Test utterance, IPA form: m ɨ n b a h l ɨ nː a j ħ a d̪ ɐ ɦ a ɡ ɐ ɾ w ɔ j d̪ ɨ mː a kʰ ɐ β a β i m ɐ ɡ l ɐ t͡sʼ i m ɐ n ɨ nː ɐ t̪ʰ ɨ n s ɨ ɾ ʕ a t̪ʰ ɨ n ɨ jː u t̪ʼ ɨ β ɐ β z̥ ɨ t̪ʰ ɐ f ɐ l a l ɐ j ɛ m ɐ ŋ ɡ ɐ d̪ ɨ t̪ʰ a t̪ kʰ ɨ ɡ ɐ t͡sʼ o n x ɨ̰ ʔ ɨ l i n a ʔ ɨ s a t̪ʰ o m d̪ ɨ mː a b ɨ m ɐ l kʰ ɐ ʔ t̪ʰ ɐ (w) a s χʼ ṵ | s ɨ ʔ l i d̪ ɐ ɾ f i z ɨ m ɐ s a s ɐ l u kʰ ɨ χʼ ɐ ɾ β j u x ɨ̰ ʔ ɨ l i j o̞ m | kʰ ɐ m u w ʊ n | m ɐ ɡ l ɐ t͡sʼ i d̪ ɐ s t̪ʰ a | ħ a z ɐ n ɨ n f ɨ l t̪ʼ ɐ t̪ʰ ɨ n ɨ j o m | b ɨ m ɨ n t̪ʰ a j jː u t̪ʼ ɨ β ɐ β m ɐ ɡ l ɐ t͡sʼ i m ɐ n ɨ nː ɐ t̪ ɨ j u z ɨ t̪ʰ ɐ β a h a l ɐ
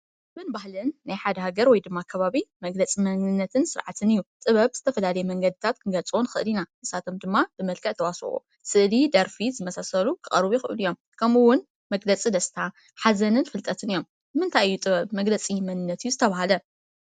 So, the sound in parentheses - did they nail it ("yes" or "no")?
yes